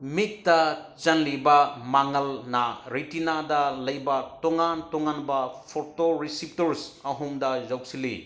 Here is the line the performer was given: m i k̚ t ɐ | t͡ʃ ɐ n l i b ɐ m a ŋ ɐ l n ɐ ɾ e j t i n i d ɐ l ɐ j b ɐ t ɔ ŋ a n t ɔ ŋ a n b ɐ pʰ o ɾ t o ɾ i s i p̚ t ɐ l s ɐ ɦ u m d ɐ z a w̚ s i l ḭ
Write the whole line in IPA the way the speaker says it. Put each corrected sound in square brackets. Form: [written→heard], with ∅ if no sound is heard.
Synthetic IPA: m i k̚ t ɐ | t͡ʃ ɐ n l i b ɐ m a ŋ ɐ l n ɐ ɾ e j t i n [i→a] d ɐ l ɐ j b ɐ t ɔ ŋ a n t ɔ ŋ a n b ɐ pʰ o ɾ t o ɾ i s i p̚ t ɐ [l→ɾ] s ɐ ɦ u m d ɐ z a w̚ s i l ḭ